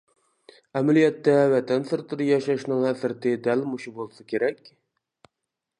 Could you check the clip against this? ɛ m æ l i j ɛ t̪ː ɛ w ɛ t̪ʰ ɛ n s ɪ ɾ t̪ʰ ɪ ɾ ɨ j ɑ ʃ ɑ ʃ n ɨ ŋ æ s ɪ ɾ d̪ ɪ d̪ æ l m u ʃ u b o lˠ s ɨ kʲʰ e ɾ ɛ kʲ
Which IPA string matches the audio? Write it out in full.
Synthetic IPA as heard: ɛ m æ l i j ɛ t̪ː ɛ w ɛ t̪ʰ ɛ n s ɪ ɾ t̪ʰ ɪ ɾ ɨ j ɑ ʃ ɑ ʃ n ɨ ŋ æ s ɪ ɾ t̪ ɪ d̪ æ l m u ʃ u b o lˠ s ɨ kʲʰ e ɾ ɛ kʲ

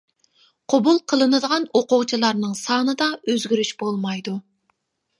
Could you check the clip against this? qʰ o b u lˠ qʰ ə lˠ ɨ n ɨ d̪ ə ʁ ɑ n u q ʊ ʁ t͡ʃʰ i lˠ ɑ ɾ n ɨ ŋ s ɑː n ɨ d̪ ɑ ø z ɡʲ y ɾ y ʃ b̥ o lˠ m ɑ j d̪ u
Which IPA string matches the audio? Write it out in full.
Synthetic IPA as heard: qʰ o b u lˠ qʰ ə lˠ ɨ n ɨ d̪ ə ʁ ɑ n o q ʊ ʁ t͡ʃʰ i lˠ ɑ ɾ n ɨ ŋ s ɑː n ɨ d̪ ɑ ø z ɡʲ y ɾ y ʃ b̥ o lˠ m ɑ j d̪ u

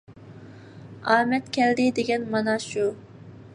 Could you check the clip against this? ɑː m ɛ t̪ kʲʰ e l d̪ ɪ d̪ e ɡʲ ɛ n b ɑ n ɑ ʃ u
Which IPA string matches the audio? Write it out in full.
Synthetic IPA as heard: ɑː m ɛ t̪ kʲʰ ɛ l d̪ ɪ d̪ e ɡʲ ɛ n m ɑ n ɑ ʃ u

